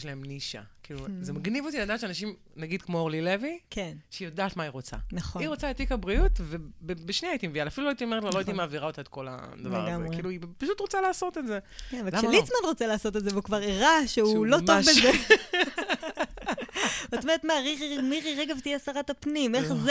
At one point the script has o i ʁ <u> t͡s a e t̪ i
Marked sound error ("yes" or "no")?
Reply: yes